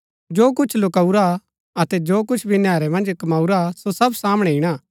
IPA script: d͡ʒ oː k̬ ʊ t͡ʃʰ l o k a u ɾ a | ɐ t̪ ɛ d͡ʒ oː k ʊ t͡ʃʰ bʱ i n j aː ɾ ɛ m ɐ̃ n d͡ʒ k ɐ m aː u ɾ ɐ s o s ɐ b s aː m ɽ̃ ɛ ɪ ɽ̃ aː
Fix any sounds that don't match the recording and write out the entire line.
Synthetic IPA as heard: d͡ʒ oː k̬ ʊ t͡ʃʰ l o k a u ɾ a | ɐ t̪ ɛ d͡ʒ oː k ʊ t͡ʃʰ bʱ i n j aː ɾ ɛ m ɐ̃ n d͡ʒ k ɐ m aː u ɾ a s o s ɐ b s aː m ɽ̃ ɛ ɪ ɽ̃ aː